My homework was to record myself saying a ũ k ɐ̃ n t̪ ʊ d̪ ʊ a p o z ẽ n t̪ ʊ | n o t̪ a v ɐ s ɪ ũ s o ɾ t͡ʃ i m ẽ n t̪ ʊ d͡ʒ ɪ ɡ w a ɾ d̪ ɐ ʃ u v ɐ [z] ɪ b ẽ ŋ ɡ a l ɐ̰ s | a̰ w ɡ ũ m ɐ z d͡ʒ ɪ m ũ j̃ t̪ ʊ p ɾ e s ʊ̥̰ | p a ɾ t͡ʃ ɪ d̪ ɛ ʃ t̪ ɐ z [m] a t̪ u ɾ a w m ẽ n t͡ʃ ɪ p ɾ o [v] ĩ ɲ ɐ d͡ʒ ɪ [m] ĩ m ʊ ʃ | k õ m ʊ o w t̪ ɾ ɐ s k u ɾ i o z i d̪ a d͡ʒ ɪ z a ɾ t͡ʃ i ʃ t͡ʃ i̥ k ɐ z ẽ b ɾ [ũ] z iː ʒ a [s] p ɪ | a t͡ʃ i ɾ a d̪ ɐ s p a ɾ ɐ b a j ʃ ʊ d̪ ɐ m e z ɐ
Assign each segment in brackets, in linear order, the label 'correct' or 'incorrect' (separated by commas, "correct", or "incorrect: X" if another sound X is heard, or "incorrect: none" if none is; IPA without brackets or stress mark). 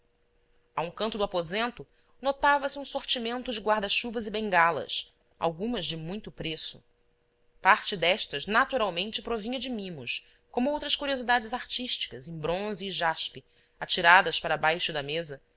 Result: correct, incorrect: n, correct, correct, incorrect: õ, incorrect: ʃ